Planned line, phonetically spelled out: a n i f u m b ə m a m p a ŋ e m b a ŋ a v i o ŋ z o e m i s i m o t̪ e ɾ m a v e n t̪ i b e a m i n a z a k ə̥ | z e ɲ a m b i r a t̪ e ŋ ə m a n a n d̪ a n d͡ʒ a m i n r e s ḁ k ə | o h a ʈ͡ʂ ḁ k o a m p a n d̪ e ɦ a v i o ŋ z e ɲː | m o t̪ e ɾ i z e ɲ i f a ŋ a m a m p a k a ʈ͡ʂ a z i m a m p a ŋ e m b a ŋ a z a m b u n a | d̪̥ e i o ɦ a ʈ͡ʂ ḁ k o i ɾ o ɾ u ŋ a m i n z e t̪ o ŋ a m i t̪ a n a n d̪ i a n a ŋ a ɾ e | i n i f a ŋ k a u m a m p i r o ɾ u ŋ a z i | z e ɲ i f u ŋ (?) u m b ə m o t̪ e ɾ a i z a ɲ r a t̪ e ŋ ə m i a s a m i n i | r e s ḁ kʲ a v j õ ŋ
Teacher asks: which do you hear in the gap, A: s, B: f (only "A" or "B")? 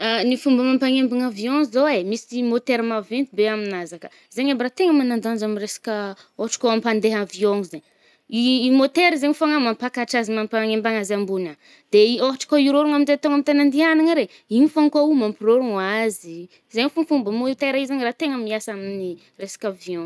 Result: B